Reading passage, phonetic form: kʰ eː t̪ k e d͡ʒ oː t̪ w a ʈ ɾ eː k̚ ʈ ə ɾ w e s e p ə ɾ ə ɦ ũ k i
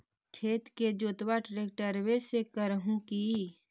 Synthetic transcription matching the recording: kʰ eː t̪ k e d͡ʒ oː t̪ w a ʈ ɾ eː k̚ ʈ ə ɾ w e s e k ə ɾ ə ɦ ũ k i

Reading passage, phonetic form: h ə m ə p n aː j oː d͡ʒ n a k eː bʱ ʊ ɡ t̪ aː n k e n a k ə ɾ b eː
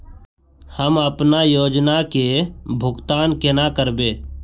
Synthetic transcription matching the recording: h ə m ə p n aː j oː d͡ʒ n a k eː bʱ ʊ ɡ t̪ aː n k e n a k ə ɾ b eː

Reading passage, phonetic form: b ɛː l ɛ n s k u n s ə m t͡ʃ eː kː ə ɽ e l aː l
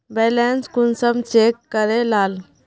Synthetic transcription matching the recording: b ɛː l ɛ n s k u n s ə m t͡ʃ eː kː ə ɾ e l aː l

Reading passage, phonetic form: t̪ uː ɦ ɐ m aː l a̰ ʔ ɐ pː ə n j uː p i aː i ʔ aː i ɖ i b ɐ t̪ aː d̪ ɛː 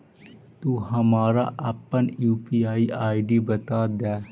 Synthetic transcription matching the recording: t̪ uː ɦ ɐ m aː ɾ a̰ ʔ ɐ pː ə n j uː p i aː i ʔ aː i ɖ i b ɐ t̪ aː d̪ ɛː

